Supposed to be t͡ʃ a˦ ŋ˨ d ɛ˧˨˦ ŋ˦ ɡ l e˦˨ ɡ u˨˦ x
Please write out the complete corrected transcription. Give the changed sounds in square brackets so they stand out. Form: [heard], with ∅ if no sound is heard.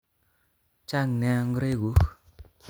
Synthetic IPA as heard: t͡ʃ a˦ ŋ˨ [n] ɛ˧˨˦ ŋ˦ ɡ [ɾ] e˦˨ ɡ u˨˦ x